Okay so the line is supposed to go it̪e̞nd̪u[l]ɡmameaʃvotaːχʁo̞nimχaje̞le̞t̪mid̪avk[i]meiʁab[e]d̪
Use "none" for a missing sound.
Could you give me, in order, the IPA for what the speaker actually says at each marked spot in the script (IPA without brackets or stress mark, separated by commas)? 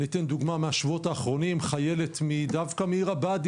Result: none, a, a